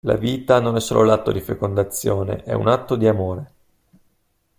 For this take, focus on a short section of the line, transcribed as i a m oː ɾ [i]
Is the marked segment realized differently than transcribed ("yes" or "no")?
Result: yes